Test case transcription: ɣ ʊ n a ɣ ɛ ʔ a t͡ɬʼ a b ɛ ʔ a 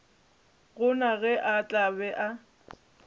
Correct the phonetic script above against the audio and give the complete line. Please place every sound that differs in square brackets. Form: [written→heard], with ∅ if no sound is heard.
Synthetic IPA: ɣ ʊ n a ɣ ɛ ʔ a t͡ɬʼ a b ɛ ʔ a